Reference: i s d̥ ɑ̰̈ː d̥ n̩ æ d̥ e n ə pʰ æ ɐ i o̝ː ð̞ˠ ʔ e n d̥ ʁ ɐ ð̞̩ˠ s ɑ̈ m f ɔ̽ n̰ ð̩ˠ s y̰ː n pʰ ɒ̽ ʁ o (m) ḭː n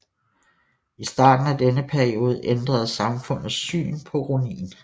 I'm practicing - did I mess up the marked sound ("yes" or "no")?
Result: yes